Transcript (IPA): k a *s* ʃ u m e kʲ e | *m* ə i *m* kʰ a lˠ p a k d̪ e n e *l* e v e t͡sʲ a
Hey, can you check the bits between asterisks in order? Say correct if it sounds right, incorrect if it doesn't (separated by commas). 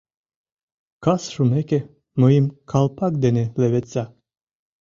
correct, correct, correct, correct